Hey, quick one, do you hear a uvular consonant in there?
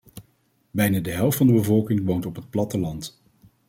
no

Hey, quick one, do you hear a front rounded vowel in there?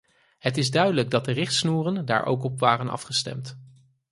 yes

